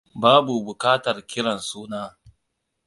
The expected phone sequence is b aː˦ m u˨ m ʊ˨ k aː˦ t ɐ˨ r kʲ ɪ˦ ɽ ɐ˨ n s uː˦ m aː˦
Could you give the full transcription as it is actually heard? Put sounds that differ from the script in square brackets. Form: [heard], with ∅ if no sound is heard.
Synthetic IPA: b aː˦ [b] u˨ [b] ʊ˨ k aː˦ t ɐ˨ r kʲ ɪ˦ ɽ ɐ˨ n s uː˦ [n] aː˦